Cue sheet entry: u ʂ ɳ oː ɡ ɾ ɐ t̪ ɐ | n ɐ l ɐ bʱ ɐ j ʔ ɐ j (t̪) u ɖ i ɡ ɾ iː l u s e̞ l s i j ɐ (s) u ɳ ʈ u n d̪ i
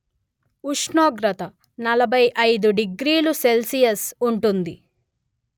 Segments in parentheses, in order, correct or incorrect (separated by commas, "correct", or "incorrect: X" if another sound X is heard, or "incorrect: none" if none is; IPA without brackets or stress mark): incorrect: d̪, correct